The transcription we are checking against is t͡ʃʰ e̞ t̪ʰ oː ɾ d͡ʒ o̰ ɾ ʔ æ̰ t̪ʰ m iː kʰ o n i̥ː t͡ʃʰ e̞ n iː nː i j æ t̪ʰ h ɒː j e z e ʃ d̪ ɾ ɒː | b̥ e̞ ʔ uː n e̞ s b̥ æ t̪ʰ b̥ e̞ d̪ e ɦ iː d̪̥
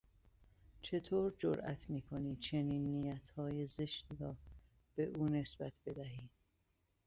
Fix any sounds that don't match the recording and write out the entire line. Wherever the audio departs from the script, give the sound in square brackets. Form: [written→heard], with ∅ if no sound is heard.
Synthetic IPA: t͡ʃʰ e̞ t̪ʰ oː ɾ d͡ʒ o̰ ɾ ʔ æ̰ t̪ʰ m iː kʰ o n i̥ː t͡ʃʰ e̞ n iː nː i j æ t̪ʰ h ɒː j e z e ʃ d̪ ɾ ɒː | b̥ e̞ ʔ uː n e̞ s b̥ æ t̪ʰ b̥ e̞ d̪ [e→æ] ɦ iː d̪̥